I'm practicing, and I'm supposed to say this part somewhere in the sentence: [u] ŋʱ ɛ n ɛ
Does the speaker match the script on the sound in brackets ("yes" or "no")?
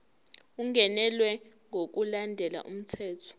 yes